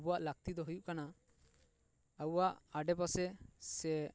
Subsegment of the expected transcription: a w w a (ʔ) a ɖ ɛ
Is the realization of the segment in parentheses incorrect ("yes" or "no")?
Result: no